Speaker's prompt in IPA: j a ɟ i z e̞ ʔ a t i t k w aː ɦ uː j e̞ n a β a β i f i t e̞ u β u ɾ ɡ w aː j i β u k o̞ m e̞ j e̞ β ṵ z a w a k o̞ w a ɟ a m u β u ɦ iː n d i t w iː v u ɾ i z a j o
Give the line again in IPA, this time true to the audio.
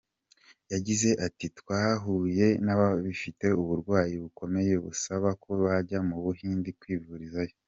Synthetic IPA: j a ɟ i z e̞ ʔ a t i t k w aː ɦ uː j e̞ n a β a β i f i t e̞ u β u ɾ ɡ w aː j i β u k o̞ m e̞ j e̞ β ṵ s a β a k o̞ β a ɟ a m u β u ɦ iː n d i k w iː v u ɾ i z a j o

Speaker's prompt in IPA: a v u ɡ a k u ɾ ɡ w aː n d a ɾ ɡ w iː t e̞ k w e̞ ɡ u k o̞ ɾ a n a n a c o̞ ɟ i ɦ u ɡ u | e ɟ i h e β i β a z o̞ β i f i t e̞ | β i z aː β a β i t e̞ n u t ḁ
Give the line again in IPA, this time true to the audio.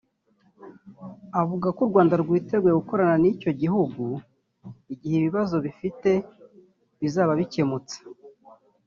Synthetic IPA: a v u ɡ a k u ɾ ɡ w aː n d a ɾ ɡ w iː t e̞ ɡ w e̞ ɡ u k o̞ ɾ a n a n i c o̞ ɟ i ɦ u ɡ u | i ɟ i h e β i β a z o̞ β i f i t e̞ | β i z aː β a β i c e̞ m u t͡s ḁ

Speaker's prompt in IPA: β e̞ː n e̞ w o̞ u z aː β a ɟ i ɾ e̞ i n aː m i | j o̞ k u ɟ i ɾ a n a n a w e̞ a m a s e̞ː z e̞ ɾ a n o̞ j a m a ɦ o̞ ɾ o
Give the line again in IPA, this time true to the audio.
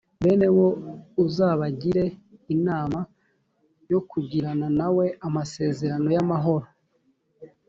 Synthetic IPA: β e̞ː n e̞ w o̞ u z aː β a ɟ i ɾ e̞ i n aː m a | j o̞ k u ɟ i ɾ a n a n a w e̞ a m a s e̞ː z e̞ ɾ a n o̞ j a m a ɦ o̞ ɾ o

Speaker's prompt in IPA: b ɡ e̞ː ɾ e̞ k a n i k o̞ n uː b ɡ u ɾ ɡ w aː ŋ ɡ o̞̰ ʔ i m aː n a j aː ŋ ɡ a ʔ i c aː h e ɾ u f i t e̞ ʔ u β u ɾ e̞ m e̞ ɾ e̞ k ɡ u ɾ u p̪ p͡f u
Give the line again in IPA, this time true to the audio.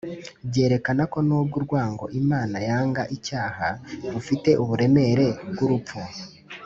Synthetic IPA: b ɟ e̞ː ɾ e̞ k a n a k o̞ n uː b ɡ u ɾ ɡ w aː ŋ ɡ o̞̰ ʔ i m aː n a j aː ŋ ɡ a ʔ i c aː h a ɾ u f i t e̞ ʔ u β u ɾ e̞ m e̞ ɾ e̞ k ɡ u ɾ u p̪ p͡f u

